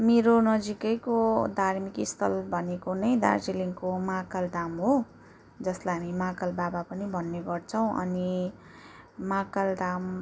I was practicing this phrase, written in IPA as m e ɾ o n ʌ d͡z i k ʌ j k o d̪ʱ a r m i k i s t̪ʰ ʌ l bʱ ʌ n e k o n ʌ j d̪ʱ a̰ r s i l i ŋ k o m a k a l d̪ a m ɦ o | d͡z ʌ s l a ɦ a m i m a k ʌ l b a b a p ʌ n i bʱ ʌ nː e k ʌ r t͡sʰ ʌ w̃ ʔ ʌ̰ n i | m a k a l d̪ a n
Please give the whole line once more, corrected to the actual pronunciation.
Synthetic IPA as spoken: m e ɾ o n ʌ d͡z i k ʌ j k o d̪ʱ a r m i k i s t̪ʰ ʌ l bʱ ʌ n e k o n ʌ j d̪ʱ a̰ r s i l i ŋ k o m a k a l d̪ a m ɦ o | d͡z ʌ s l a ɦ a m i m a k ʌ l b a b a p ʌ n i bʱ ʌ nː e ɡ ʌ r t͡sʰ ʌ w̃ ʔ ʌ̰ n i | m a k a l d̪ a m

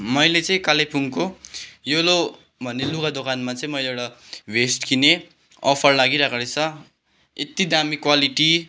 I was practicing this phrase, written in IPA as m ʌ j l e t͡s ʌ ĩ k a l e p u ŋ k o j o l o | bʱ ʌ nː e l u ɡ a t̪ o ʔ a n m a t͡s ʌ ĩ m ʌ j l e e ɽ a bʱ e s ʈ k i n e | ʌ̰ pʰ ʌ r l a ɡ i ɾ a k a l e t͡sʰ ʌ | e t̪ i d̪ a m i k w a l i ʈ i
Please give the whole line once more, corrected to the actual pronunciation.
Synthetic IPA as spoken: m ʌ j l e t͡s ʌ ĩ k a l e p u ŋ k o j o l o | bʱ ʌ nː e l u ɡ a d̪ o k a n m a t͡s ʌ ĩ m ʌ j l e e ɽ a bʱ e s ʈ k i n e | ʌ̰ pʰ ʌ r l a ɡ i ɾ a k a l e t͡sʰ ʌ | e t̪ i d̪ a m i k w a l i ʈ i

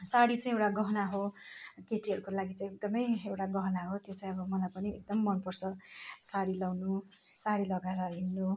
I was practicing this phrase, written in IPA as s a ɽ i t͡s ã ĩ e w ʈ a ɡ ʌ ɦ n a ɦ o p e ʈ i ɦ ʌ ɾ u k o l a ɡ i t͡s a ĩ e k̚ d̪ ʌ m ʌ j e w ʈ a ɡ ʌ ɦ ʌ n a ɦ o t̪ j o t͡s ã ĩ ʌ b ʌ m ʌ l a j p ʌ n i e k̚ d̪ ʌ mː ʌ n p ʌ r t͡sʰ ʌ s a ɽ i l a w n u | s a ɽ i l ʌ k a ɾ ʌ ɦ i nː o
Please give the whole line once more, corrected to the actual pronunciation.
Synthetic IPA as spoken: s a ɽ i t͡s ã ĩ e w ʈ a ɡ ʌ ɦ n a ɦ o k e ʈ i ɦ ʌ ɾ u k o l a ɡ i t͡s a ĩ e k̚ d̪ ʌ m ʌ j e w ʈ a ɡ ʌ ɦ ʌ n a ɦ o t̪ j o t͡s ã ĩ ʌ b ʌ m ʌ l a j p ʌ n i e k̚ d̪ ʌ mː ʌ n p ʌ r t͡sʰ ʌ s a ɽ i l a w n u | s a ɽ i l ʌ ɡ a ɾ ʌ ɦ i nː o

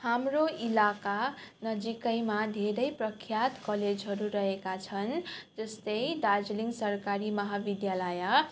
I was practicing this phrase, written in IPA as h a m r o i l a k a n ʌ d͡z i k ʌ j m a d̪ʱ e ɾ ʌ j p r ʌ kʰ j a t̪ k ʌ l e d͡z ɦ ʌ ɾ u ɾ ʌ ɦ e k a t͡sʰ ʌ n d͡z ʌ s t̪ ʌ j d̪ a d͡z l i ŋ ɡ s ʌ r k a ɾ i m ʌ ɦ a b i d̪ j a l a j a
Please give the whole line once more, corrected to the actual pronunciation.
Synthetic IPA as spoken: h a m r o i l a k a n ʌ d͡z i k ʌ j m a d̪ʱ e ɾ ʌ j p r ʌ kʰ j a t̪ k ʌ l e d͡z ɦ ʌ ɾ u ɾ ʌ ɦ e k a t͡sʰ ʌ n d͡z ʌ s t̪ ʌ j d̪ a d͡z l i ŋ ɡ s ʌ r k a ɾ i m ʌ ɦ a b i d̪ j a l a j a

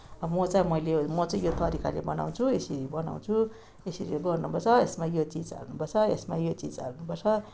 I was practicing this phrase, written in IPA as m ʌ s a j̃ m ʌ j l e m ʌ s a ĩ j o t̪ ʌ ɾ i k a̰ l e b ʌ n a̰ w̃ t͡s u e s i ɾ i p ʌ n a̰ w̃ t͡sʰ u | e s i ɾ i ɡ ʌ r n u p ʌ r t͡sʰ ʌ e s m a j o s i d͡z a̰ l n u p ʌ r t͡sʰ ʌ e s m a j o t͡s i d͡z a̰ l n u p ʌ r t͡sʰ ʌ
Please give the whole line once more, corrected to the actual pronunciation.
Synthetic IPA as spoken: m ʌ t͡s a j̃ m ʌ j l e m ʌ t͡s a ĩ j o t̪ ʌ ɾ i k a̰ l e b ʌ n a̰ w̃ t͡sʰ u e s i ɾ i b ʌ n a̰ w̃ t͡sʰ u | e s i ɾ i ɡ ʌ r n u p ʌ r t͡sʰ ʌ e s m a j o t͡s i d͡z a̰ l n u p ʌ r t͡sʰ ʌ e s m a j o t͡s i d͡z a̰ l n u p ʌ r t͡sʰ ʌ

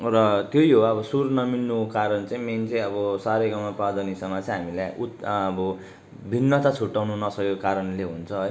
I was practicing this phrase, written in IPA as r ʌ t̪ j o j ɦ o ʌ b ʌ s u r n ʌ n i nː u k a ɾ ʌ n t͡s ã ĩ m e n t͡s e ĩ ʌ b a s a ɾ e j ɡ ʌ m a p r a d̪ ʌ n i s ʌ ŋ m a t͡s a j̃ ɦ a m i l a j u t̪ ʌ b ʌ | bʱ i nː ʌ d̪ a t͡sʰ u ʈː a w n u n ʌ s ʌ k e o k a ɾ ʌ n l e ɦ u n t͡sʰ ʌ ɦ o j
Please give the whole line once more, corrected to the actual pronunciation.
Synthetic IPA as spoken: r ʌ t̪ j o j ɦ o ʌ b ʌ s u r n ʌ m i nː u k a ɾ ʌ n t͡s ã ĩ m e n t͡s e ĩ ʌ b ʌ s a ɾ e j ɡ ʌ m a p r a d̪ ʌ n i s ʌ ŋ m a t͡s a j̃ ɦ a m i l a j u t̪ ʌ b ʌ | bʱ i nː ʌ t̪ a t͡sʰ u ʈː a w n u n ʌ s ʌ k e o k a ɾ ʌ n l e ɦ u n t͡sʰ ʌ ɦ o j

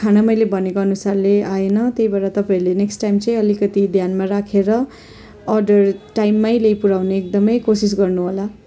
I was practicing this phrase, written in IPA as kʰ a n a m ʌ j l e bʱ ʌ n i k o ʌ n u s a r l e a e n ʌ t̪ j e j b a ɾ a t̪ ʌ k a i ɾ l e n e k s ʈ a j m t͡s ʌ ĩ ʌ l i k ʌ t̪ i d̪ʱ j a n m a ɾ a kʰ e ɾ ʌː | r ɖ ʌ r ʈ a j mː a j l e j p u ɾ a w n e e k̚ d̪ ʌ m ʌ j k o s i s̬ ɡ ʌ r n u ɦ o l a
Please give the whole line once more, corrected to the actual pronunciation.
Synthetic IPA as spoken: kʰ a n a m ʌ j l e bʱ ʌ n e k o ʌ n u s a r l e a e n ʌ t̪ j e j b a ɾ a t̪ ʌ p a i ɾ l e n e k s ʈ a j m t͡s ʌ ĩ ʌ l i k ʌ t̪ i d̪ʱ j a n m a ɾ a kʰ e ɾ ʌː | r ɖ ʌ r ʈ a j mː a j l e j p u ɾ a w n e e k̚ d̪ ʌ m ʌ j k o s i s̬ ɡ ʌ r n u ɦ o l a

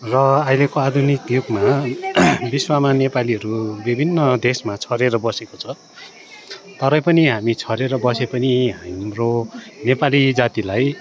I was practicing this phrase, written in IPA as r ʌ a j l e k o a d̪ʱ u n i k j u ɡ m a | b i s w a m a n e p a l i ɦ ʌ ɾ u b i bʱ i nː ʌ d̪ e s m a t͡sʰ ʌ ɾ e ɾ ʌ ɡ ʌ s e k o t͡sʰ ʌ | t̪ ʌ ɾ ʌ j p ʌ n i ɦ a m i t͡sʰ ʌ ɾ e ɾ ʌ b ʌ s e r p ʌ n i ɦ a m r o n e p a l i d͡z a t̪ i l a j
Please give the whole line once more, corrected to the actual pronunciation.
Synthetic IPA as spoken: r ʌ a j l e k o a d̪ʱ u n i k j u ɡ m a | b i s w a m a n e p a l i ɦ ʌ ɾ u b i bʱ i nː ʌ d̪ e s m a t͡sʰ ʌ ɾ e ɾ ʌ b ʌ s e k o t͡sʰ ʌ | t̪ ʌ ɾ ʌ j p ʌ n i ɦ a m i t͡sʰ ʌ ɾ e ɾ ʌ b ʌ s e p ʌ n i ɦ a m r o n e p a l i d͡z a t̪ i l a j

